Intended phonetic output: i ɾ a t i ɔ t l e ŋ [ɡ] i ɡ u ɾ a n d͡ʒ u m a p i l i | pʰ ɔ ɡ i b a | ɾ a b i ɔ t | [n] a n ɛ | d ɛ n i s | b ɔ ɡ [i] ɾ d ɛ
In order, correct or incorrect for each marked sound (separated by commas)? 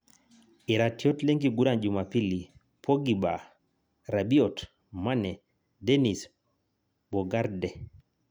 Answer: correct, incorrect, incorrect